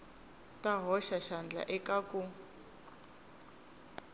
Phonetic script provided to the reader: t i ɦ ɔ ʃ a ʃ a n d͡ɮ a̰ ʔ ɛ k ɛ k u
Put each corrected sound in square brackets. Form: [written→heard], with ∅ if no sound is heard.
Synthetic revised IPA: t [i→a] ɦ ɔ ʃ a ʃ a n d͡ɮ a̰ ʔ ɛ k [ɛ→a] k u